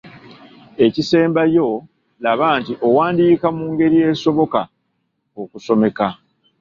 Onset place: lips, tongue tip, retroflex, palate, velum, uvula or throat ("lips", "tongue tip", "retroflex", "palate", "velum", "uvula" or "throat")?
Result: palate